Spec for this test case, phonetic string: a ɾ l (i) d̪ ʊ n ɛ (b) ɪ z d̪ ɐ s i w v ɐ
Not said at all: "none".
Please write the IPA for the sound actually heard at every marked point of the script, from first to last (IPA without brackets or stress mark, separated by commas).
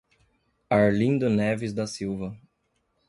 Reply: ĩ, v